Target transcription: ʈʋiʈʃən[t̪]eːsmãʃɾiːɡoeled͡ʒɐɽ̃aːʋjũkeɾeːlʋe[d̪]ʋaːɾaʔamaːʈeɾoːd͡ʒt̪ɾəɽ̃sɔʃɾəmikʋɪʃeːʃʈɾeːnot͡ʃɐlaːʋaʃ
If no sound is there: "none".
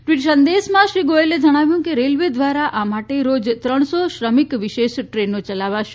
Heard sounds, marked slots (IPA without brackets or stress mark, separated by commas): d̪, d̪